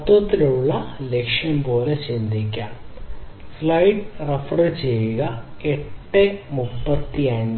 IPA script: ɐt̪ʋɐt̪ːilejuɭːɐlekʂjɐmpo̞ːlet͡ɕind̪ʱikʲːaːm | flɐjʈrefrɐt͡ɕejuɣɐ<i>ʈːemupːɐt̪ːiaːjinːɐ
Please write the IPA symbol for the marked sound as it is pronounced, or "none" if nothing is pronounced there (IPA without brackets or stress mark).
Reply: e